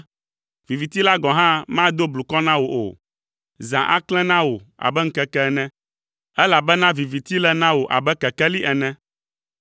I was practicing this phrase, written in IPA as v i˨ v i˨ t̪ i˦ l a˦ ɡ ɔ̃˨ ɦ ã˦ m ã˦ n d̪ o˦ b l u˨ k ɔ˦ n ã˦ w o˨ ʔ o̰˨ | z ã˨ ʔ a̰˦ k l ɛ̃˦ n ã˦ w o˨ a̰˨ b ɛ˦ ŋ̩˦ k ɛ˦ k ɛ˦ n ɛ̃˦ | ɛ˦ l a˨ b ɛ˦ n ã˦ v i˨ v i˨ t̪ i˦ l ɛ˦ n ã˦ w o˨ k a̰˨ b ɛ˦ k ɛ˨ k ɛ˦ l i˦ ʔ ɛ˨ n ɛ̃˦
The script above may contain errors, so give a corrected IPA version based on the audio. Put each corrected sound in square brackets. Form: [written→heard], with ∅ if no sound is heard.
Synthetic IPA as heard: v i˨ v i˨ t̪ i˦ l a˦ ɡ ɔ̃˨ ɦ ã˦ m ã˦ [n→∅] d̪ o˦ b l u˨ k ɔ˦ n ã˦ w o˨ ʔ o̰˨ | z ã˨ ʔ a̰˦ k l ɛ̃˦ n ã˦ w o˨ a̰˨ b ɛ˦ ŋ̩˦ k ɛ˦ k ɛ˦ n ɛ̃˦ | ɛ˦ l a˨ b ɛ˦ n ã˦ v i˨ v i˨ t̪ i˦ l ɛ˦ n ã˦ w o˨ [k→ʔ] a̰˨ b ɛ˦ k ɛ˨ k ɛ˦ l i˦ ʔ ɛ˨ n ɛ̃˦

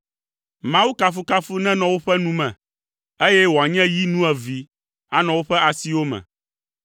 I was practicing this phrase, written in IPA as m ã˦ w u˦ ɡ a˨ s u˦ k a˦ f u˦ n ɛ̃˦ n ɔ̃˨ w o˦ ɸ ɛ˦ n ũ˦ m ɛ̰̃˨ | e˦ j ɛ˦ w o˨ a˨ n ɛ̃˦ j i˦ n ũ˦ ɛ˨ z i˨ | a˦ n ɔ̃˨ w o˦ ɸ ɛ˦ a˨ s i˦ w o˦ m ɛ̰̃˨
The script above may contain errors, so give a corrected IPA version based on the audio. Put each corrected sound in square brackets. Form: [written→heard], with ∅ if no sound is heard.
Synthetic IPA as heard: m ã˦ w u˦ [ɡ→k] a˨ [s→f] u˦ k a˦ f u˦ n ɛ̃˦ n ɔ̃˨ w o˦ ɸ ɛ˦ n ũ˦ m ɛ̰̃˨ | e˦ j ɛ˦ w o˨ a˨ [n→ɲ] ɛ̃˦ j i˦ n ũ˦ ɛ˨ [z→v] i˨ | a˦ n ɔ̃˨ w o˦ ɸ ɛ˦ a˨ s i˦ w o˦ m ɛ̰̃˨

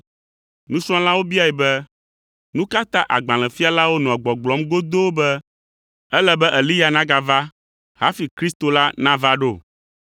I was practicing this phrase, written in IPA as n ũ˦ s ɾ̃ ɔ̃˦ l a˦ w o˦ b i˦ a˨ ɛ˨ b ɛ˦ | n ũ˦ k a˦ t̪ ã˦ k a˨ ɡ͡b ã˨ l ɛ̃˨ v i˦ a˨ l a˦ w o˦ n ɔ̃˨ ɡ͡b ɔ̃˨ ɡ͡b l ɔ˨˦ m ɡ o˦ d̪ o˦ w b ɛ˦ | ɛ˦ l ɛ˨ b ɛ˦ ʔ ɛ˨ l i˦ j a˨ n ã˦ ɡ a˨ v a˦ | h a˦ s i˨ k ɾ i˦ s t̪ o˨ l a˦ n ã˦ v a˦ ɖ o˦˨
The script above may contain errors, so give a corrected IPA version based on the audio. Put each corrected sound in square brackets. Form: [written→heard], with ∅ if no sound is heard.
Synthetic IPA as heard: n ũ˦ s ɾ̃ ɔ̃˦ l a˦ w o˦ b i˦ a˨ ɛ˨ b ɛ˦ | n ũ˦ k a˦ t̪ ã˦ [k→ʔ] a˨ ɡ͡b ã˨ l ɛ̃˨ [v→f] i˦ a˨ l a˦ w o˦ n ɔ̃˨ ɡ͡b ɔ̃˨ ɡ͡b l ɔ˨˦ m ɡ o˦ d̪ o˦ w b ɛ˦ | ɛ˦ l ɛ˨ b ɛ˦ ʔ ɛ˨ l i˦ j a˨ n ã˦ ɡ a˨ v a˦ | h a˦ [s→f] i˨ k ɾ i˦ s t̪ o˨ l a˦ n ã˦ v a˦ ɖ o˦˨

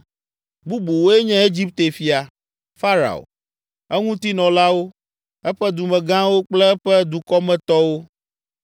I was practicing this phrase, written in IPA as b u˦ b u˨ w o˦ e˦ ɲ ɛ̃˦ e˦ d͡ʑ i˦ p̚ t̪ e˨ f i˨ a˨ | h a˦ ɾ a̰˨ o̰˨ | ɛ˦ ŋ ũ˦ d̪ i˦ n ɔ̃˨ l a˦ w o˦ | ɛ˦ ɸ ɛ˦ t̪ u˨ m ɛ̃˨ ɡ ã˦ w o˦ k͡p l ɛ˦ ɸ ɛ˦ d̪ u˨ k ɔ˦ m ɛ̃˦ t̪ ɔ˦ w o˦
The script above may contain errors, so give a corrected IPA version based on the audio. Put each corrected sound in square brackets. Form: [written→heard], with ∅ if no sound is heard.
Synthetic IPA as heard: b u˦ b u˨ w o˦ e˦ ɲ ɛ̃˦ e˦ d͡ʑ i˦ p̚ t̪ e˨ f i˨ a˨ | [h→f] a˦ ɾ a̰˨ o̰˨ | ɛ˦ ŋ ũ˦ [d̪→t̪] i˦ n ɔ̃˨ l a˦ w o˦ | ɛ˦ ɸ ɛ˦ [t̪→d̪] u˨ m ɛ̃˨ ɡ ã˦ w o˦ k͡p l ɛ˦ ɸ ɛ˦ d̪ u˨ k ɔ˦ m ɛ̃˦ t̪ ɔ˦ w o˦

